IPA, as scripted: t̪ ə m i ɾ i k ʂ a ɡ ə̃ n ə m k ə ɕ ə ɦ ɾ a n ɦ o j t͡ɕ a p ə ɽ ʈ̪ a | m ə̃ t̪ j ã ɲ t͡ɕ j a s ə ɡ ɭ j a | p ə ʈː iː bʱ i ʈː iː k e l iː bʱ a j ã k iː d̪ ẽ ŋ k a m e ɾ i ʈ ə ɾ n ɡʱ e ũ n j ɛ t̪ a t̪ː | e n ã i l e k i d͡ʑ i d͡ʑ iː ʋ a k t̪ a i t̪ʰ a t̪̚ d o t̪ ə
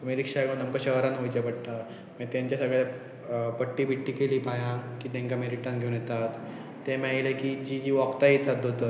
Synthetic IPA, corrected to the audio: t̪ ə m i ɾ i k ʂ a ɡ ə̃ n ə m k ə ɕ ə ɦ ɾ a n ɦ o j t͡ɕ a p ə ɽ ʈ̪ a | m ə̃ t̪ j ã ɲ t͡ɕ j a s ə ɡ ɭ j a | p ə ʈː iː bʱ i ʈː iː k e l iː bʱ a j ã k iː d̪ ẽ ŋ k a m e ɾ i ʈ ə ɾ n ɡʱ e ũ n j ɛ t̪ a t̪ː | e m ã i l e k i d͡ʑ i d͡ʑ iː ʋ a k t̪ a i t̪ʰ a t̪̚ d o t̪ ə